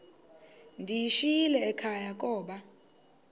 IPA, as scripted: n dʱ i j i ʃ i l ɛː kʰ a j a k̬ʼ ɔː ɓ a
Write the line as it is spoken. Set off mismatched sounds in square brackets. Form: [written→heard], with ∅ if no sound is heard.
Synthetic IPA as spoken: n dʱ i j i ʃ i l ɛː kʰ a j a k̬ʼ ɔː ɓ a